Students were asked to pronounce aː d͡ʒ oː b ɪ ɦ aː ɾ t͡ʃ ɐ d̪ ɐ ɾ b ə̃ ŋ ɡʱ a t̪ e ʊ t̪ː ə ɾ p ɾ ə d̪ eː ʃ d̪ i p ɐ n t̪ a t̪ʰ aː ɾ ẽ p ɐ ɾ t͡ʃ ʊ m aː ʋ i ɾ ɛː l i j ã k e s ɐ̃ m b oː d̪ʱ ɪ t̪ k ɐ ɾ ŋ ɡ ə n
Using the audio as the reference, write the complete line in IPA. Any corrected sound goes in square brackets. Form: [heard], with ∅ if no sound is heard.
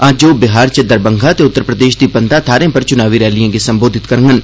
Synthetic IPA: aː d͡ʒ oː b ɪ ɦ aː ɾ t͡ʃ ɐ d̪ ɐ ɾ b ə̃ ŋ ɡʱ a t̪ e ʊ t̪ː ə ɾ p ɾ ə d̪ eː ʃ d̪ i p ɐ n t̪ a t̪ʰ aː ɾ ẽ p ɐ ɾ t͡ʃ ʊ [n] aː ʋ i ɾ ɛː l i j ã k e s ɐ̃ m b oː d̪ʱ ɪ t̪ k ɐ ɾ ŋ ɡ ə n

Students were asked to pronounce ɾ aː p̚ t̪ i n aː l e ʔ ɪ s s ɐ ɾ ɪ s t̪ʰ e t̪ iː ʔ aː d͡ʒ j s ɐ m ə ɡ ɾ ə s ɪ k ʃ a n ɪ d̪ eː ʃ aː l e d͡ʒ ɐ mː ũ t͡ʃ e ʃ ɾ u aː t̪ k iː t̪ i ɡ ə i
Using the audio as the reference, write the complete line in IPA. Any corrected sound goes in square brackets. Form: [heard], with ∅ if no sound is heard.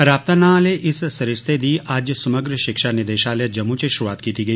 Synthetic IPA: ɾ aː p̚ t̪ [a] n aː l e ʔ ɪ s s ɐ ɾ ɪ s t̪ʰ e [d̪] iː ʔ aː d͡ʒ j s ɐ m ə ɡ ɾ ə [ʃ] ɪ k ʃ a n ɪ d̪ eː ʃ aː l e d͡ʒ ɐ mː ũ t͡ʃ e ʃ ɾ u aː t̪ k iː t̪ i ɡ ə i

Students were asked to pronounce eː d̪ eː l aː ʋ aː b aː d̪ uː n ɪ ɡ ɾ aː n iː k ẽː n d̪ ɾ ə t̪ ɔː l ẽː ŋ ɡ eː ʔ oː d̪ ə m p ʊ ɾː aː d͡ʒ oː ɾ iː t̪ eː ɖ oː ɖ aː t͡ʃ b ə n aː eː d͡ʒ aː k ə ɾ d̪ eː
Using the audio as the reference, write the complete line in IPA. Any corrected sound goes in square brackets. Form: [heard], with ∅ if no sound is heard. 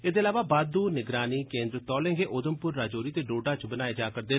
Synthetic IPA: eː d̪ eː l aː ʋ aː b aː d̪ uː n ɪ ɡ ɾ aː n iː k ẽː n d̪ ɾ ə t̪ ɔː l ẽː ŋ ɡ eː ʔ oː d̪ ə m p ʊ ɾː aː d͡ʒ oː ɾ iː t̪ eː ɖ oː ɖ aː t͡ʃ b ə n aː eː d͡ʒ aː k ə ɾ d̪ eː

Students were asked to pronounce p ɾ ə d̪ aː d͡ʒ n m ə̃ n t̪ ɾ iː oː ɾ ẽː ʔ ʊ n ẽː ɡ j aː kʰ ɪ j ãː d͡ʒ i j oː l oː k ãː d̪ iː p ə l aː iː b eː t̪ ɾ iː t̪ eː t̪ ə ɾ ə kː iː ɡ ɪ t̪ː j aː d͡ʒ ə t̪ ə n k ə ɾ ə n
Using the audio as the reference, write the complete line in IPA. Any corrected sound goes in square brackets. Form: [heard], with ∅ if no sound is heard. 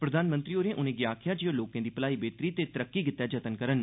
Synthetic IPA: p ɾ ə d̪ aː [∅] n m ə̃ n t̪ ɾ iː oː ɾ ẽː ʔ ʊ n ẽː ɡ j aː kʰ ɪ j [aː] d͡ʒ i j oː l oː k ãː d̪ iː p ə l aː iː b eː t̪ ɾ iː t̪ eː t̪ ə ɾ ə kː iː ɡ ɪ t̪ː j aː d͡ʒ ə t̪ ə n k ə ɾ ə n

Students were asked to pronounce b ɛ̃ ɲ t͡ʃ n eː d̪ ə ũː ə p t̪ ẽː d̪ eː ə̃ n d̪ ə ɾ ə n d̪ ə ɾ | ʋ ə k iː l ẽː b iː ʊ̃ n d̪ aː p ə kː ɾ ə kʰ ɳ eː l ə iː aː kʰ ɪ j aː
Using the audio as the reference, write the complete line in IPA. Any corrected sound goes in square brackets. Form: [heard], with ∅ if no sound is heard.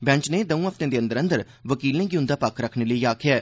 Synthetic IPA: b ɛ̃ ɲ t͡ʃ n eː d̪ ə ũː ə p t̪ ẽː d̪ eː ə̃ n d̪ ə ɾ ə n d̪ ə ɾ | ʋ ə k iː l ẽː [ɡ] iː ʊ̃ n d̪ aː p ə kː ɾ ə kʰ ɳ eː l ə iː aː kʰ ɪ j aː

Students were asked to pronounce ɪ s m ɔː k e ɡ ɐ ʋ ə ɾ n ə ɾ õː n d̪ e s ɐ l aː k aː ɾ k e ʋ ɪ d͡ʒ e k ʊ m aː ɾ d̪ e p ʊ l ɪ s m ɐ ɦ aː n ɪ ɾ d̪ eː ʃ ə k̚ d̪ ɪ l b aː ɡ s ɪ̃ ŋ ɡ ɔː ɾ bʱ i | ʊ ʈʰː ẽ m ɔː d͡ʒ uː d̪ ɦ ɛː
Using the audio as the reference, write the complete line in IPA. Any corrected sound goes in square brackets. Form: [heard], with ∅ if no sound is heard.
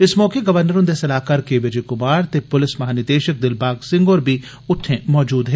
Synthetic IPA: ɪ s m ɔː k e ɡ ɐ ʋ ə ɾ n ə ɾ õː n d̪ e s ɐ l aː k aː ɾ k e ʋ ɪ d͡ʒ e k ʊ m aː ɾ [t̪] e p ʊ l ɪ s m ɐ ɦ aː n ɪ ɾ d̪ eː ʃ ə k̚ d̪ ɪ l b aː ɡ s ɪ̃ ŋ ɡ ɔː ɾ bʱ i | ʊ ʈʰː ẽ m ɔː d͡ʒ uː d̪ ɦ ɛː

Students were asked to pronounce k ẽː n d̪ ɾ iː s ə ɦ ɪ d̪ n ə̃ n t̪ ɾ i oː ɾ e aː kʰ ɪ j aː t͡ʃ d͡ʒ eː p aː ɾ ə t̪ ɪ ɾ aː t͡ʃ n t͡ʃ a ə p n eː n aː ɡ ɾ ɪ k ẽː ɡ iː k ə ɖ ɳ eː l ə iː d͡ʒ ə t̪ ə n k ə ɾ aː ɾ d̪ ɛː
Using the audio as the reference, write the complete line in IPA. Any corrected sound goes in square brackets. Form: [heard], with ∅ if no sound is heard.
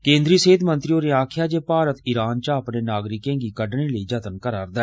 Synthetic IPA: k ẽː n d̪ ɾ iː s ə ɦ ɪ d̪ [m] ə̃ n t̪ ɾ i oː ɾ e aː kʰ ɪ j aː [∅] d͡ʒ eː p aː ɾ ə t̪ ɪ ɾ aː [∅] n t͡ʃ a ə p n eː n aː ɡ ɾ ɪ k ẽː ɡ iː k ə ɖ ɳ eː l ə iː d͡ʒ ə t̪ ə n k ə ɾ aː ɾ d̪ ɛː

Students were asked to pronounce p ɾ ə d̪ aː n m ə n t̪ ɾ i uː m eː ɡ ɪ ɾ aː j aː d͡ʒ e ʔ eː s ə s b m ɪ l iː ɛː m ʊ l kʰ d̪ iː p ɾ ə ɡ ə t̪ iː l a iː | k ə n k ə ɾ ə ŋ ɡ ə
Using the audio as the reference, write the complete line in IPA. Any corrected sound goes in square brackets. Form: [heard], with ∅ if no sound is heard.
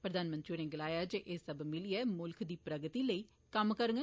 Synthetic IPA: p ɾ ə d̪ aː n m ə n t̪ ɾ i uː [n] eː ɡ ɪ [l] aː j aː d͡ʒ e ʔ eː s ə [∅] b m ɪ l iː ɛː m ʊ l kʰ d̪ iː p ɾ ə ɡ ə t̪ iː l [ə] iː | k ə [m] k ə ɾ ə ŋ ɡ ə

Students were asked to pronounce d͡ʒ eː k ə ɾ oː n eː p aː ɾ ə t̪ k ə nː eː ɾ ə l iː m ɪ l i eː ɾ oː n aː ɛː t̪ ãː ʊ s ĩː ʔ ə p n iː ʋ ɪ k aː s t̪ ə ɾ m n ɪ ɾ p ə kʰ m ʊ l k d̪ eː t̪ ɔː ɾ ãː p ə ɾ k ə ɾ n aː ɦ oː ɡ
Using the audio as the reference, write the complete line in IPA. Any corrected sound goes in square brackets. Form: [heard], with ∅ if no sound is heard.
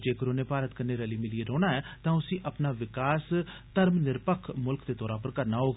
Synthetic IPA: d͡ʒ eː k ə ɾ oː n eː p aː ɾ ə t̪ k ə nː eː ɾ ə l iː m ɪ l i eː ɾ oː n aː ɛː t̪ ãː ʊ s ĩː ʔ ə p n [aː] ʋ ɪ k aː s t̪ ə ɾ m n ɪ ɾ p ə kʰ m ʊ l k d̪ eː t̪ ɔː ɾ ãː p ə ɾ k ə ɾ n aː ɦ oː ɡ

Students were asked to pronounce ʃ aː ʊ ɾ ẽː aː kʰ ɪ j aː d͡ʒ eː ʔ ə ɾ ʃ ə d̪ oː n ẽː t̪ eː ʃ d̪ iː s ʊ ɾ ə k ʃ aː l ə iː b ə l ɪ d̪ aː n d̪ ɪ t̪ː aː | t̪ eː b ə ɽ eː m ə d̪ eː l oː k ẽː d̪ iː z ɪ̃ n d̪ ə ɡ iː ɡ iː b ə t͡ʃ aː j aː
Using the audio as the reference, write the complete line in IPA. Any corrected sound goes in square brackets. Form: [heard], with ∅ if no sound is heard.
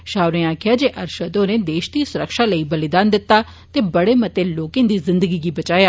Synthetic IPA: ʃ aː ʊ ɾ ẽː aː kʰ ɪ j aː d͡ʒ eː ʔ ə ɾ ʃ ə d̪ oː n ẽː [d̪] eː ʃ d̪ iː s ʊ ɾ ə k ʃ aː l ə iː b ə l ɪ d̪ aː n d̪ ɪ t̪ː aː | t̪ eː b ə ɽ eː m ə [t̪] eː l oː k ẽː d̪ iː z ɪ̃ n d̪ ə ɡ iː ɡ iː b ə t͡ʃ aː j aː

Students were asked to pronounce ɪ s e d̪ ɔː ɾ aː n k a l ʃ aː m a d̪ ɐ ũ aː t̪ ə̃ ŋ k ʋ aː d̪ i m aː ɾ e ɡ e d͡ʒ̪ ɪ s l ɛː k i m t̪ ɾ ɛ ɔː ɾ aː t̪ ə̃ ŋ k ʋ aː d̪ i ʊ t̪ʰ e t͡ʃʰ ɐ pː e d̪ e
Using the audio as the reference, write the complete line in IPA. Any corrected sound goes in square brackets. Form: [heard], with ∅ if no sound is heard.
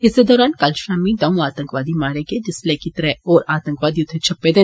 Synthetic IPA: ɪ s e d̪ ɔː ɾ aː n k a l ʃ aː m [i] d̪ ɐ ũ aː t̪ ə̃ ŋ k ʋ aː d̪ i m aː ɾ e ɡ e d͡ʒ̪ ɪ s l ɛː k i [∅] t̪ ɾ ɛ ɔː ɾ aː t̪ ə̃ ŋ k ʋ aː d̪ i ʊ t̪ʰ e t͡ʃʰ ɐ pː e d̪ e

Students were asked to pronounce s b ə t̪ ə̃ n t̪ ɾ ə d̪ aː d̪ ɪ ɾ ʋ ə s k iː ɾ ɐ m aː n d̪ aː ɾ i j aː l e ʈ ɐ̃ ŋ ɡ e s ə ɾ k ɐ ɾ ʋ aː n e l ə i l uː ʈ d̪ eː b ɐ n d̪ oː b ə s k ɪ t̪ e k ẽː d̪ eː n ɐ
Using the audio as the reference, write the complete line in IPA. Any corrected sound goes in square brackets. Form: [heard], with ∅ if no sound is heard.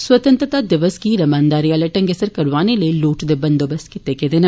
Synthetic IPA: s [w] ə t̪ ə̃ n t̪ ɾ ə [t̪] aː d̪ ɪ [∅] ʋ ə s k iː ɾ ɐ m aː n d̪ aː ɾ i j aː l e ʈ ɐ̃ ŋ ɡ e s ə ɾ k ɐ ɾ ʋ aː n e l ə i l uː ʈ d̪ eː b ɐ n d̪ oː b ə s k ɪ t̪ e k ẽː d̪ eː n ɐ

